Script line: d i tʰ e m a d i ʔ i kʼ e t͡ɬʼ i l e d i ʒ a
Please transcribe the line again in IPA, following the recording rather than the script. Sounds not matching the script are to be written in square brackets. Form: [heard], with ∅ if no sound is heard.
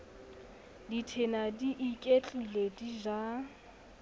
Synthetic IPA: d i tʰ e [n] a d i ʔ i kʼ e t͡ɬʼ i l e d i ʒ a